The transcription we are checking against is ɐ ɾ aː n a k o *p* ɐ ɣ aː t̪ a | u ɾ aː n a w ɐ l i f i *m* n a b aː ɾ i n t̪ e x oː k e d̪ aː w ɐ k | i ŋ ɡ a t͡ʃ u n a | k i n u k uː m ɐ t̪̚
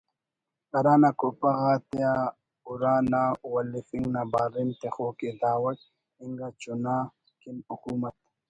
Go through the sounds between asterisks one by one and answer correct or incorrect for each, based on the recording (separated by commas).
correct, incorrect